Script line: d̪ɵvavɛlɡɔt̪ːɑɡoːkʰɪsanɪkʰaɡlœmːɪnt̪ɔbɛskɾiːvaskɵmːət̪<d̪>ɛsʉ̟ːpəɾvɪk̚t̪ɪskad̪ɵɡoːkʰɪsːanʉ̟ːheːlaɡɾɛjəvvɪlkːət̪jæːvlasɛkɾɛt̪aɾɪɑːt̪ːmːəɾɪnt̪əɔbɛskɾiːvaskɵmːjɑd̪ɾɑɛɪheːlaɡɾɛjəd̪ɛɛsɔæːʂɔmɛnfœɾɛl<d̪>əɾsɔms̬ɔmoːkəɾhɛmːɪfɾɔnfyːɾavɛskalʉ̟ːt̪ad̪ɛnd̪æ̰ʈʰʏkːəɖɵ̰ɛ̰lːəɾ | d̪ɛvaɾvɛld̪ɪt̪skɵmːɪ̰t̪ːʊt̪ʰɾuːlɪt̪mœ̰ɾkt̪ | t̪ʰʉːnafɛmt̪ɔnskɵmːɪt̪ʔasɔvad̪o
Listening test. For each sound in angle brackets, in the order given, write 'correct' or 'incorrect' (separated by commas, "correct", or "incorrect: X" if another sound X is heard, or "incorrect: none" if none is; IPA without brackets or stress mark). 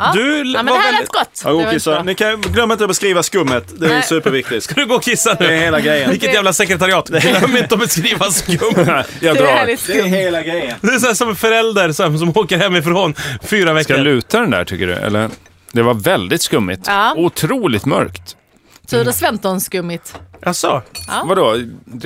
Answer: correct, correct